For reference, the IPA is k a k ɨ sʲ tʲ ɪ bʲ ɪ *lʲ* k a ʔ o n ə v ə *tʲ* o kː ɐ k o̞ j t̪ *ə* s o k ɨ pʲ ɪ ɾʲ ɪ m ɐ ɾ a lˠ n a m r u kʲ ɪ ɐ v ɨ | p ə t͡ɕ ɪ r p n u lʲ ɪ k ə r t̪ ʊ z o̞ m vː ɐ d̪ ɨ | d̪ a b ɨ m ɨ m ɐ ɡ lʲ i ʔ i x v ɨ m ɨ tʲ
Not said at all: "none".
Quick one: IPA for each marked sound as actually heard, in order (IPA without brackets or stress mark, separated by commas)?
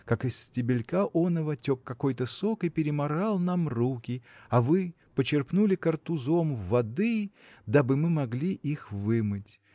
lʲ, tʲ, ə